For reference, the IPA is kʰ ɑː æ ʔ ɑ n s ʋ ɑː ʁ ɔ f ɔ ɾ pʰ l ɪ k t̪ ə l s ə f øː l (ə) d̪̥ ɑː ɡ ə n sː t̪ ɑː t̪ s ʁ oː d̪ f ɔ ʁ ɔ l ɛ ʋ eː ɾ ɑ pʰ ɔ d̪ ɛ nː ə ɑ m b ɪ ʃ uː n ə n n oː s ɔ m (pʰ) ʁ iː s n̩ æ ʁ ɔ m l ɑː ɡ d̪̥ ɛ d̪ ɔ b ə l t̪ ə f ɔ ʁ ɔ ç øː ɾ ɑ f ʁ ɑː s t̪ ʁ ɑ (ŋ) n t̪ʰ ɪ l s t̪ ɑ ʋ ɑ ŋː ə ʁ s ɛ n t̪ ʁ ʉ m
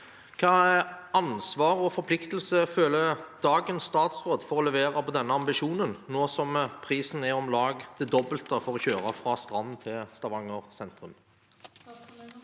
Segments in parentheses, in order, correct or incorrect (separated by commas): correct, correct, incorrect